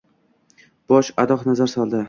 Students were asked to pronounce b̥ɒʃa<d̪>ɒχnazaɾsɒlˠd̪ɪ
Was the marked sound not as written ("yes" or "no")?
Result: no